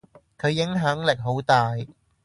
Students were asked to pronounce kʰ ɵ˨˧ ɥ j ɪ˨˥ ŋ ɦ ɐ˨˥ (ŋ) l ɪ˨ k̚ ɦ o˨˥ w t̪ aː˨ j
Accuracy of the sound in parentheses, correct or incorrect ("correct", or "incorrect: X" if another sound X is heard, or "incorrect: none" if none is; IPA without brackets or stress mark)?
correct